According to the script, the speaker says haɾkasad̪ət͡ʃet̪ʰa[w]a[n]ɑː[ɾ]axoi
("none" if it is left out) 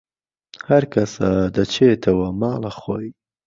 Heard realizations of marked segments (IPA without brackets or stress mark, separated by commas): w, m, l